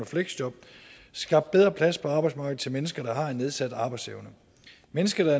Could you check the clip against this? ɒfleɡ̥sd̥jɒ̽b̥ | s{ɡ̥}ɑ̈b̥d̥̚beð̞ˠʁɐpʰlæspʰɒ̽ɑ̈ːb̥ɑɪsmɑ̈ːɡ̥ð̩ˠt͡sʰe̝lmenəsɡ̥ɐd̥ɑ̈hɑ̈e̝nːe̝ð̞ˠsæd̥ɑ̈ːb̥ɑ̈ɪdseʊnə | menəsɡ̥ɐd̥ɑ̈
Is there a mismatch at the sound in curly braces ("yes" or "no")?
no